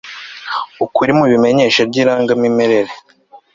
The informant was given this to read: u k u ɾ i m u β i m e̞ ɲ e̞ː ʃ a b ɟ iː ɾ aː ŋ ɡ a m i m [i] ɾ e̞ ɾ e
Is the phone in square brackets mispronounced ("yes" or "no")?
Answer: yes